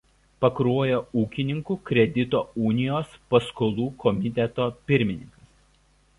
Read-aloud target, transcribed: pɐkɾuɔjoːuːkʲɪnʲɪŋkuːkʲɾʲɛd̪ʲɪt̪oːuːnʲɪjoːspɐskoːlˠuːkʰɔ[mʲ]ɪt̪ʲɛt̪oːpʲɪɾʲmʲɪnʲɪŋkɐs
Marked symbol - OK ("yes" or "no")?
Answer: yes